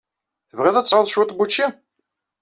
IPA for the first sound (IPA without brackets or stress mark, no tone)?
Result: θ